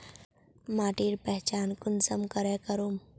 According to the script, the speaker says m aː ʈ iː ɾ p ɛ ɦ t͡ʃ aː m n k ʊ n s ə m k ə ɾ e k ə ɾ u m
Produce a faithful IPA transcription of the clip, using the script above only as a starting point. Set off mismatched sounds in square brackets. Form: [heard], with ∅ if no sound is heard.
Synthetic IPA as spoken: m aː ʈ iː ɾ p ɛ ɦ t͡ʃ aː [∅] n k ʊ n s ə m k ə ɾ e k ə ɾ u m